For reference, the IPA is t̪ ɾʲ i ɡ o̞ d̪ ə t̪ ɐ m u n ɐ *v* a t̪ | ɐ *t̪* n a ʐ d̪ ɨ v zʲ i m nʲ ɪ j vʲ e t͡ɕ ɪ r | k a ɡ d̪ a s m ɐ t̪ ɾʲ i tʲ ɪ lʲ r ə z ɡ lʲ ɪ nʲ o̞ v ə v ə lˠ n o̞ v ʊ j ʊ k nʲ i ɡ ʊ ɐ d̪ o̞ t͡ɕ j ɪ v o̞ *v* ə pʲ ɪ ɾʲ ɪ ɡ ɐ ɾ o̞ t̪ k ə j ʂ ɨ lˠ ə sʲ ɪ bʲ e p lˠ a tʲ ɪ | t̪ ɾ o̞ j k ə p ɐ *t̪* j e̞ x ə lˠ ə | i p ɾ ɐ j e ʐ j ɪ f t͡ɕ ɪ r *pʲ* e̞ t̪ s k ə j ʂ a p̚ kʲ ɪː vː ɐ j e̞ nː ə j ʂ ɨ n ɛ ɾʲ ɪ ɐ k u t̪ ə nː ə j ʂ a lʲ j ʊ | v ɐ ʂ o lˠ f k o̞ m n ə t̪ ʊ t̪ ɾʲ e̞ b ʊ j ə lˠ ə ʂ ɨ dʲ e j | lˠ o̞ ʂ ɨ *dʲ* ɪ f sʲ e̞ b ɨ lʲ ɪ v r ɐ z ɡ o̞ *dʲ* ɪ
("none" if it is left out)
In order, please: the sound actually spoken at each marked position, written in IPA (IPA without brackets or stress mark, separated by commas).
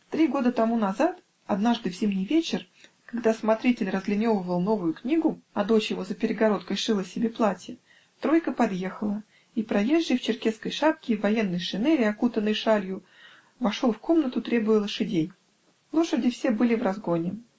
z, d̪, z, d̪, kʲ, dʲ, nʲ